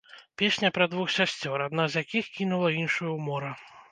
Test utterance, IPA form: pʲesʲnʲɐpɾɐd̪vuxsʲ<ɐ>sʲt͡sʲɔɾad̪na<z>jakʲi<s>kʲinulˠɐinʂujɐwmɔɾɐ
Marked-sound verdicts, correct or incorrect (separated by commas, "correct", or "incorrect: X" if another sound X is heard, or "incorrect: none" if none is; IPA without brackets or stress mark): incorrect: a, correct, incorrect: x